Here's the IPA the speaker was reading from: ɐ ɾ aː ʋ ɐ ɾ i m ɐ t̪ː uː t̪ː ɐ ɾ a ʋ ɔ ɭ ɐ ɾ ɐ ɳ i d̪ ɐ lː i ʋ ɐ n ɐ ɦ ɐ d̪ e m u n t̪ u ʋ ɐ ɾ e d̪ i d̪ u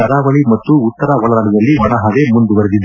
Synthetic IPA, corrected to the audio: ɐ ɾ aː ʋ ɐ ɭ i m ɐ t̪ː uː t̪ː ɐ ɾ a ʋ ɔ ɭ ɐ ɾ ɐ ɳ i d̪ ɐ lː i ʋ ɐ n ɐ ɦ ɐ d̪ e m u n d̪ u ʋ ɐ ɾ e d̪ i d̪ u